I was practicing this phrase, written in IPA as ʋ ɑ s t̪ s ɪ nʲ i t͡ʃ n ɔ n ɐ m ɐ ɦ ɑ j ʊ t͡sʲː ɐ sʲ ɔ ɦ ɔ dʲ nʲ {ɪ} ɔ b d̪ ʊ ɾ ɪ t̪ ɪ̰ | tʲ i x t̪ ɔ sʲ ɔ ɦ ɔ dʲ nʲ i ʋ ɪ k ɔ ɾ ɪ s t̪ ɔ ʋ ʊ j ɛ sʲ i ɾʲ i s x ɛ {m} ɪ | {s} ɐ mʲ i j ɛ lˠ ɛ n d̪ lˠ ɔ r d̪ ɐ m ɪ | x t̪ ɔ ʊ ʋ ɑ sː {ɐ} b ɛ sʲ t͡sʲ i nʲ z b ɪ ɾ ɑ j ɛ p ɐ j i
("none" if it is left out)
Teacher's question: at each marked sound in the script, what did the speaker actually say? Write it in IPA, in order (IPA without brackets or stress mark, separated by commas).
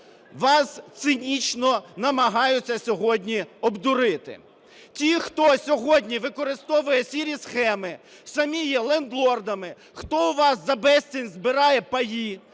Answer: i, m, s, ɐ